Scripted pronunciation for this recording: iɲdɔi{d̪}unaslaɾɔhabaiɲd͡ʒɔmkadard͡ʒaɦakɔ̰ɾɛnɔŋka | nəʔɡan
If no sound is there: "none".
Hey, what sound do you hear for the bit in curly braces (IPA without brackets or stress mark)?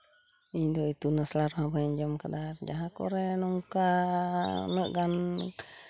t̪